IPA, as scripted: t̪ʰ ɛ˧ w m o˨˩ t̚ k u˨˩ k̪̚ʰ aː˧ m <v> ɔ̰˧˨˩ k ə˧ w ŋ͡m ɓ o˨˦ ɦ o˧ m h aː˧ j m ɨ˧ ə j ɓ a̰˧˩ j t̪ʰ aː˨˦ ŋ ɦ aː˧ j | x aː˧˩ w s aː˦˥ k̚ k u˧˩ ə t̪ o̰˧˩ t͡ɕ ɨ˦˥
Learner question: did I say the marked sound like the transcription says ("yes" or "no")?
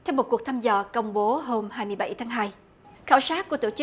no